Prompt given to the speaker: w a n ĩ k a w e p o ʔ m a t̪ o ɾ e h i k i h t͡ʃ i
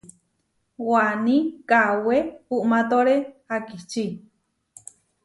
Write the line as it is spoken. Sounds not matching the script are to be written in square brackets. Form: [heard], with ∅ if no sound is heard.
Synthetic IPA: w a n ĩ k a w e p [u] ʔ m a t̪ o ɾ e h [a] k i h t͡ʃ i